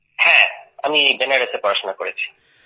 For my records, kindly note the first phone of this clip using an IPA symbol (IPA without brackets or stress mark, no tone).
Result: h